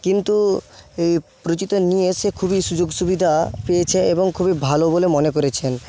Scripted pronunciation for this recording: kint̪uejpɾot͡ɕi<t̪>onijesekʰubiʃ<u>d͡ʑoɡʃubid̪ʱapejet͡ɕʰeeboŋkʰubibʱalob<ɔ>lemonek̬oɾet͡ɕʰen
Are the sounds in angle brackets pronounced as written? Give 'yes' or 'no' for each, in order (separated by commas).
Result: yes, yes, no